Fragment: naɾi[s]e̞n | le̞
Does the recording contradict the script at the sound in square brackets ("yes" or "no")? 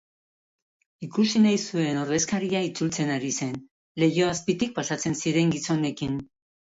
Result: no